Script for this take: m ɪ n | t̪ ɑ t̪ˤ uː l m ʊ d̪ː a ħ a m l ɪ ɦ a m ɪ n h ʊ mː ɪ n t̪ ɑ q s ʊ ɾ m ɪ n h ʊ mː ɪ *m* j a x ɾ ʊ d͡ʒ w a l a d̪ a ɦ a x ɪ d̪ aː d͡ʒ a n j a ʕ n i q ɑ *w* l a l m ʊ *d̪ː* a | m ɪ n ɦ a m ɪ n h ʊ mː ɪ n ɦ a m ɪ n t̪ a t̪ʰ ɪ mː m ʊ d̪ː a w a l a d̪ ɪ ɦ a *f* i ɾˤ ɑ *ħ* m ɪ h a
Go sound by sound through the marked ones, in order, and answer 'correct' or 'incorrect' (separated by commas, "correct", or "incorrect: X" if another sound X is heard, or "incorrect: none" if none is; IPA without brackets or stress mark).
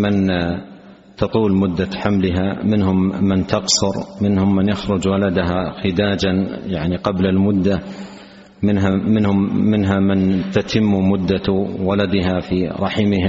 incorrect: n, incorrect: b, correct, correct, correct